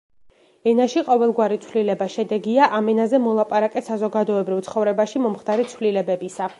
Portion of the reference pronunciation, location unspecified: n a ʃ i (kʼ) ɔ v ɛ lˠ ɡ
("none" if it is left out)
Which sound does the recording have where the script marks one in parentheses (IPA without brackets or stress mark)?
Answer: qʼ